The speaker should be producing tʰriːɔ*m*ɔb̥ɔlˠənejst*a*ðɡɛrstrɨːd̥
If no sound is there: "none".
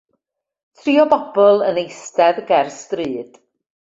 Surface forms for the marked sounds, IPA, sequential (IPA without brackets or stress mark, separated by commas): b, ɛ